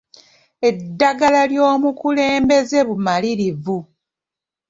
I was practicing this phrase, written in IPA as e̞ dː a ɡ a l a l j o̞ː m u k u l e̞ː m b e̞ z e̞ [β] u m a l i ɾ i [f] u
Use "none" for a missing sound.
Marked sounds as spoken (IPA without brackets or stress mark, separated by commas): β, v